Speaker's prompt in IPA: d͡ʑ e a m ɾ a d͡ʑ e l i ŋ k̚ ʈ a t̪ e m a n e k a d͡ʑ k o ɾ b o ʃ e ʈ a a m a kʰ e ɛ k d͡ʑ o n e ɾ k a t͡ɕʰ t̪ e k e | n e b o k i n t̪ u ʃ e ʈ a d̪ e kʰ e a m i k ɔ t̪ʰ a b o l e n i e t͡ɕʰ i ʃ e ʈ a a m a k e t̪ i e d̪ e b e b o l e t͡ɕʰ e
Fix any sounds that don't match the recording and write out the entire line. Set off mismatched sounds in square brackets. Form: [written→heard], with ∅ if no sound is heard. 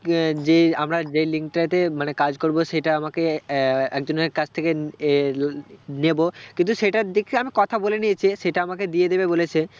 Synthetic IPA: d͡ʑ e a m ɾ a d͡ʑ e l i ŋ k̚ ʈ a t̪ e m a n e k a d͡ʑ k o ɾ b o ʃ e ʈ a a m a [kʰ→k] e ɛ k d͡ʑ o n e ɾ k a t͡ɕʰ [t̪→t̪ʰ] e k e | n e b o k i n t̪ u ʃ e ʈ a d̪ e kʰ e a m i k ɔ t̪ʰ a b o l e n i e t͡ɕʰ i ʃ e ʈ a a m a k e [t̪→d̪] i e d̪ e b e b o l e t͡ɕʰ e